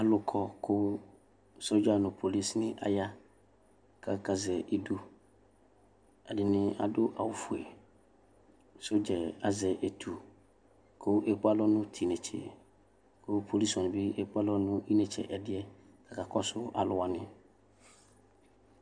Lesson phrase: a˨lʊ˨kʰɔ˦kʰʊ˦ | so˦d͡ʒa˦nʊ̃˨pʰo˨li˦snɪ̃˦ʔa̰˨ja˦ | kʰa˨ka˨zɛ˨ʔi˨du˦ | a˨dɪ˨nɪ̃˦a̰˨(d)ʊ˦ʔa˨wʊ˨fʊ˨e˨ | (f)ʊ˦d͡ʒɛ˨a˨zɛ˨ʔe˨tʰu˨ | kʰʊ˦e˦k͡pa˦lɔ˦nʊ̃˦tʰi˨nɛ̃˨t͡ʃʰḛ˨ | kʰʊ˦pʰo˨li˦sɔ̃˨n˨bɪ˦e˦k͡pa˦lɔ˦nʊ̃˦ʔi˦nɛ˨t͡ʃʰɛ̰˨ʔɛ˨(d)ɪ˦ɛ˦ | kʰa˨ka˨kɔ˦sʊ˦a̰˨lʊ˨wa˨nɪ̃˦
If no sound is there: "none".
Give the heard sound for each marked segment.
d, s, d

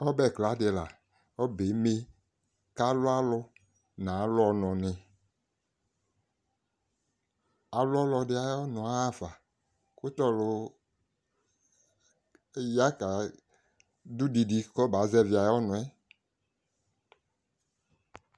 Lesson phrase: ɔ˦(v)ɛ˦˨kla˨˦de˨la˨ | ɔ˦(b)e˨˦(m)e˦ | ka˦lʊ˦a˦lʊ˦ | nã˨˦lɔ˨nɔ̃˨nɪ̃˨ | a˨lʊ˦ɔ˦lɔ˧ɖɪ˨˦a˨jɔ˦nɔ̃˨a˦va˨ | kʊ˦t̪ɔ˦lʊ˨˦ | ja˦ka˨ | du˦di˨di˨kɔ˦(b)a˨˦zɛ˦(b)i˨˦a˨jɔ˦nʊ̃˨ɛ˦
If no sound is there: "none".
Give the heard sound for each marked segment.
b, b, m, b, v

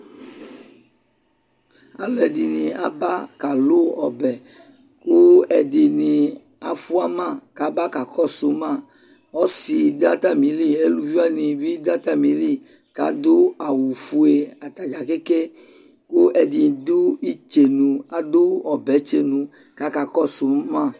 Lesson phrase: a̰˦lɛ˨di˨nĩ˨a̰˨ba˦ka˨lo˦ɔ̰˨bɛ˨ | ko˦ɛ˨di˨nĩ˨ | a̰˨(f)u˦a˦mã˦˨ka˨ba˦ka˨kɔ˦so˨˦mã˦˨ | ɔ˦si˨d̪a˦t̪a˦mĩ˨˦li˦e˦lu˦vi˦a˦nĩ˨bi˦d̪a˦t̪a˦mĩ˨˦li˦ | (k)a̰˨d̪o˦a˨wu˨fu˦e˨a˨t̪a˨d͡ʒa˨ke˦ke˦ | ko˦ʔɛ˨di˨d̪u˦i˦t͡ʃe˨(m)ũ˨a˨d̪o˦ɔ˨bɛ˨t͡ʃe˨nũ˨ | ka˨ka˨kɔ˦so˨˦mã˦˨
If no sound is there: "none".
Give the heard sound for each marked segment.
f, k, n

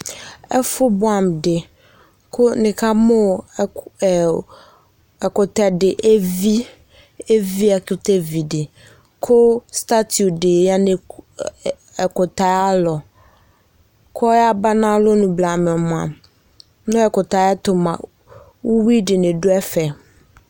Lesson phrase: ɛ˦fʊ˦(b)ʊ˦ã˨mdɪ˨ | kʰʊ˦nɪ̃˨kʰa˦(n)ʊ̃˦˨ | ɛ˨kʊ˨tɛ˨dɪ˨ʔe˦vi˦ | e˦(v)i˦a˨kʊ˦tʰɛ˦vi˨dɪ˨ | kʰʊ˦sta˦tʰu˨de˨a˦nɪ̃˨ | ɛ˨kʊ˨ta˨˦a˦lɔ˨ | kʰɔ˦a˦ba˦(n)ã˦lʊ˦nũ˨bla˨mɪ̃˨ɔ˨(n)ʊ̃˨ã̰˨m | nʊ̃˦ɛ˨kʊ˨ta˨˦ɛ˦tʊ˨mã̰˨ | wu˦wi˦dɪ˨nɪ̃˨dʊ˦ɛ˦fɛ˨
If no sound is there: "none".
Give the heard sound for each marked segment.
b, m, v, n, m

